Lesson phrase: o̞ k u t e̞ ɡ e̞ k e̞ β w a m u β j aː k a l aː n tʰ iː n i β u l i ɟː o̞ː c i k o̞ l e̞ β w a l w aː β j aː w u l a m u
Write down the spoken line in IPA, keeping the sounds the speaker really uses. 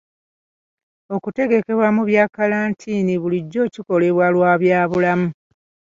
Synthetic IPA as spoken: o̞ k u t e̞ ɡ e̞ k e̞ β w a m u β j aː k a l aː n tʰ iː n i β u l i ɟː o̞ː c i k o̞ l e̞ β w a l w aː β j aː β u l a m u